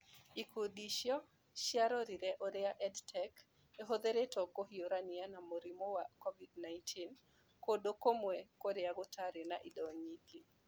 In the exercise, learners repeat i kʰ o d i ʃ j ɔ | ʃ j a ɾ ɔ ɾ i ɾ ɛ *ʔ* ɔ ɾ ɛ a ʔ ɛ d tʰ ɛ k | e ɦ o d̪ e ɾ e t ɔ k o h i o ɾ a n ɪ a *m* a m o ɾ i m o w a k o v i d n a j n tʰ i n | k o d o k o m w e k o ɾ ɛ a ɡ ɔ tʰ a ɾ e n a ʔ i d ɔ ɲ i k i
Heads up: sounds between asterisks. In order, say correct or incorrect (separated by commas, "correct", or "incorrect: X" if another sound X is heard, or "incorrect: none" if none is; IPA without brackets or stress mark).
correct, incorrect: n